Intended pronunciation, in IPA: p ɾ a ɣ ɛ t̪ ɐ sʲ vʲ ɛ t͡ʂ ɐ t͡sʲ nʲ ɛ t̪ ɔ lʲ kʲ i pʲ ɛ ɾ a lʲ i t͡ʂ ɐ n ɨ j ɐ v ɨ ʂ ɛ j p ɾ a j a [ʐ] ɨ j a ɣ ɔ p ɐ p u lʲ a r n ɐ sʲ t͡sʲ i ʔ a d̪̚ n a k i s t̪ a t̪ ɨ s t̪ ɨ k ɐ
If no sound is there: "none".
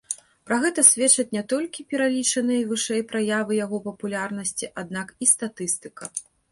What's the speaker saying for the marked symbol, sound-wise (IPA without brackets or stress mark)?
v